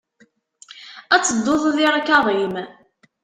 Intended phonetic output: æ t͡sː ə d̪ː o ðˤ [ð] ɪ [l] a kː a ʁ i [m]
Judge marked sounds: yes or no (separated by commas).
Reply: yes, no, yes